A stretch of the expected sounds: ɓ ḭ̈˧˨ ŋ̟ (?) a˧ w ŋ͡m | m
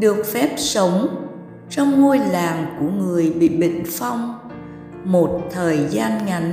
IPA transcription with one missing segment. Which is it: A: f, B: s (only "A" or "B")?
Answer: A